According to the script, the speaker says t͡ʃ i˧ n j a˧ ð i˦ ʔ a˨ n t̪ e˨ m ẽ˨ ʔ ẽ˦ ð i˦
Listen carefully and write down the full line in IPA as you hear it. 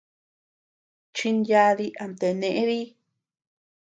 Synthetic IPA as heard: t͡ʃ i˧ n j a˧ ð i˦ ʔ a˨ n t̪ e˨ n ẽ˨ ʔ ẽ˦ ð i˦

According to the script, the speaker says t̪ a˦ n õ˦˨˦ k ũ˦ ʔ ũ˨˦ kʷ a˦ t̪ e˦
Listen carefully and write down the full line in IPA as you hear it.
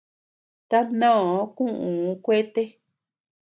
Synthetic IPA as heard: t̪ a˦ n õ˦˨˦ k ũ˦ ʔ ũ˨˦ kʷ e˦ t̪ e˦

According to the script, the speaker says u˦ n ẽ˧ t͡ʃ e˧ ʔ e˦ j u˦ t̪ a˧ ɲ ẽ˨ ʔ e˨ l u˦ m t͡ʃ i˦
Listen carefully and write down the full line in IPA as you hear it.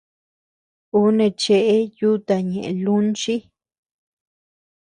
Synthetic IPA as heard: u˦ n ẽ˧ t͡ʃ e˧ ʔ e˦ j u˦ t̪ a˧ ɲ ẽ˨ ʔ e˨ l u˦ n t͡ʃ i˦

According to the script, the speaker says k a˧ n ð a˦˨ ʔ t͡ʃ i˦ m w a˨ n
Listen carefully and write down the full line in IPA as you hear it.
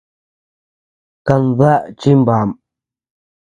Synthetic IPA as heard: k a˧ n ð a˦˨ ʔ t͡ʃ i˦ m b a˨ m

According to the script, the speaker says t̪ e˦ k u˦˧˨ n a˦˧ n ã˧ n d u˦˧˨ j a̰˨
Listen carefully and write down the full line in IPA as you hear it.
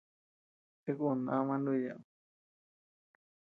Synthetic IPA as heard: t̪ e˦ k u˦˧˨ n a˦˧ m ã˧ n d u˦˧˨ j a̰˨

